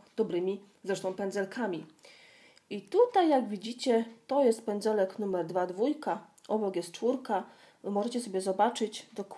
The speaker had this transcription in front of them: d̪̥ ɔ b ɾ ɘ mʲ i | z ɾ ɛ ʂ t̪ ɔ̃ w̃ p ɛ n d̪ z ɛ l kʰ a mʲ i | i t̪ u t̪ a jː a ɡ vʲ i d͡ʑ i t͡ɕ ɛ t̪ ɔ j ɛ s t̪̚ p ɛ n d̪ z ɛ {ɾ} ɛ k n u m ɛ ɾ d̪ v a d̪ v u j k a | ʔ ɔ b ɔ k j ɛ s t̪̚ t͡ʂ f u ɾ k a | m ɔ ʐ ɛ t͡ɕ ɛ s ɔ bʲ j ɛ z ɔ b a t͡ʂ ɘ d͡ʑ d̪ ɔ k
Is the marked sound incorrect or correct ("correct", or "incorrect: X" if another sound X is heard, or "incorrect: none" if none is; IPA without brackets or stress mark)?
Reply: incorrect: l